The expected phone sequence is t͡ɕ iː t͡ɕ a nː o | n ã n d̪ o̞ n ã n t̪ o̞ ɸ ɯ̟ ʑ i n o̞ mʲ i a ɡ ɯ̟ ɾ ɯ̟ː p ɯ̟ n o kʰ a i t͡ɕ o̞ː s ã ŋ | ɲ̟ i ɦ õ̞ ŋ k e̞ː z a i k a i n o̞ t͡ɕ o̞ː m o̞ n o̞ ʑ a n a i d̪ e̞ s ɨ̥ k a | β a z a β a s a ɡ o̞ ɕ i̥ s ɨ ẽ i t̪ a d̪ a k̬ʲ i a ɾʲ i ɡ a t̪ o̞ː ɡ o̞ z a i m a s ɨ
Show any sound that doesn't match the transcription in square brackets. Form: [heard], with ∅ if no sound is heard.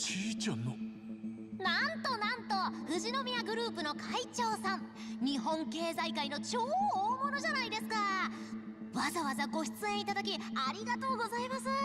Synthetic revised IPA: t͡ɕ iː t͡ɕ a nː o | n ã n [t̪] o̞ n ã n t̪ o̞ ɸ ɯ̟ ʑ i n o̞ mʲ i a ɡ ɯ̟ ɾ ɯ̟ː p ɯ̟ n o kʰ a i t͡ɕ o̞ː s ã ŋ | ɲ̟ i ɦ õ̞ ŋ k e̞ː z a i k a i n o̞ t͡ɕ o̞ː m o̞ n o̞ ʑ a n a i d̪ e̞ s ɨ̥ k a | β a z a β a [z] a ɡ o̞ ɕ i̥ [t͡s] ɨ ẽ i t̪ a d̪ a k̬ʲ i a ɾʲ i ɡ a t̪ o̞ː ɡ o̞ z a i m a s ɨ

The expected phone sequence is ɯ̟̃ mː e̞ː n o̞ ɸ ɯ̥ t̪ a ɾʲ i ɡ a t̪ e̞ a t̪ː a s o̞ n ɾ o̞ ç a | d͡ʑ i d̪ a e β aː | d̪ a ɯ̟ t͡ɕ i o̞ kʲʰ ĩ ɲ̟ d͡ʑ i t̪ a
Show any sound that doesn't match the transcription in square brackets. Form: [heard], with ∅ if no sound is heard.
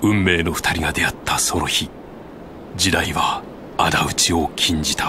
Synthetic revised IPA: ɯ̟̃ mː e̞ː n o̞ ɸ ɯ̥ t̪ a ɾʲ i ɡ a [d̪] e̞ a t̪ː a s o̞ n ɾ o̞ ç [i] | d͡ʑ i d̪ a [i] β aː | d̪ a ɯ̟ t͡ɕ i o̞ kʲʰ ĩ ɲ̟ d͡ʑ i t̪ a

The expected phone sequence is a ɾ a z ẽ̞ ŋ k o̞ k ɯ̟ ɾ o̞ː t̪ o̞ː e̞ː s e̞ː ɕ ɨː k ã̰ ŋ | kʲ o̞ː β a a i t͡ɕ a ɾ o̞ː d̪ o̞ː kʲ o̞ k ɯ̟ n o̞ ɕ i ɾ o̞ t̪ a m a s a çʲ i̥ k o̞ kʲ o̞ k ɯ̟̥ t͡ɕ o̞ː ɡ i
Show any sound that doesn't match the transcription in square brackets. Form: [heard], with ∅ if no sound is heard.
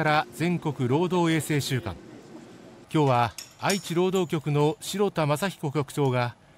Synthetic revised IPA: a ɾ a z ẽ̞ ŋ k o̞ k ɯ̟ ɾ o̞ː [d̪] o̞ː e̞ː s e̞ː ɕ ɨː k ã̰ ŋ | kʲ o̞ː β a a i t͡ɕ [i] ɾ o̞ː d̪ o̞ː kʲ o̞ k ɯ̟ n o̞ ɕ i ɾ o̞ t̪ a m a s a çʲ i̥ k o̞ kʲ o̞ k ɯ̟̥ t͡ɕ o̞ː ɡ [a]

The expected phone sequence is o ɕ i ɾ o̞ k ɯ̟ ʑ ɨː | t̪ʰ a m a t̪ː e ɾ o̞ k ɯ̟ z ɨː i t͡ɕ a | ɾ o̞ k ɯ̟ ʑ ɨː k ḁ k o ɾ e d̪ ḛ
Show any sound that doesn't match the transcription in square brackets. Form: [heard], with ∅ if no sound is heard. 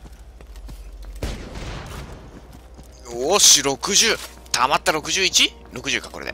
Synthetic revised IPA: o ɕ i ɾ o̞ k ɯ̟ ʑ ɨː | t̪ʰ a m a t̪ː [a] ɾ o̞ k ɯ̟ [ʑ] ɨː i t͡ɕ [i] | ɾ o̞ k ɯ̟ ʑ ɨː k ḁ k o ɾ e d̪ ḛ

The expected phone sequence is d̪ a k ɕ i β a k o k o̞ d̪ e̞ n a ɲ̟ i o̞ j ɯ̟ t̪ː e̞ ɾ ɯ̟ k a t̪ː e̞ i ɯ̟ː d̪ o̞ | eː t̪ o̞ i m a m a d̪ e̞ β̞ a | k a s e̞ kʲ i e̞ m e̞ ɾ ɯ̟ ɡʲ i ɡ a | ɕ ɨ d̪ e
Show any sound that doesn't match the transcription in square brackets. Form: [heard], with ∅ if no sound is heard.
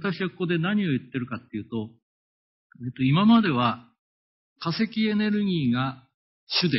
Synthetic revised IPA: [t̪] a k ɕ i β a k o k o̞ d̪ e̞ n a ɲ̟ i o̞ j ɯ̟ t̪ː e̞ ɾ ɯ̟ k a t̪ː e̞ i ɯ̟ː [t̪] o̞ | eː t̪ o̞ i m a m a d̪ e̞ β̞ a | k a s e̞ kʲ i e̞ [n] e̞ ɾ ɯ̟ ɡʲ [iː] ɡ a | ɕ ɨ d̪ e

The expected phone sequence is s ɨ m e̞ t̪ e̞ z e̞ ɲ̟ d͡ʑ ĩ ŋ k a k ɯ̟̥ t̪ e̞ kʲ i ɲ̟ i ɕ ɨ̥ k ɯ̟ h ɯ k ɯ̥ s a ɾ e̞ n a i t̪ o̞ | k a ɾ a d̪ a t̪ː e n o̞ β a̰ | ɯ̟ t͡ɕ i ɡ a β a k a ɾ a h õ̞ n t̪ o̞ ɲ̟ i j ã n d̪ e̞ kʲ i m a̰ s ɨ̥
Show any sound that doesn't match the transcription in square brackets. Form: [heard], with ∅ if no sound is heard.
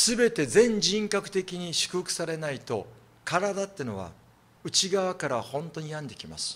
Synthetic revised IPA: s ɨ [b] e̞ t̪ e̞ z [ẽ̞] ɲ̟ d͡ʑ ĩ ŋ k a k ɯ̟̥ t̪ e̞ kʲ i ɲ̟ i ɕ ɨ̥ k ɯ̟ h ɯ k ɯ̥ s a ɾ e̞ n a i t̪ o̞ | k a ɾ a d̪ a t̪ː e n o̞ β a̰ | ɯ̟ t͡ɕ i ɡ a β a k a ɾ a h õ̞ n t̪ o̞ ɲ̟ i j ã n d̪ e̞ kʲ i m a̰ s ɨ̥

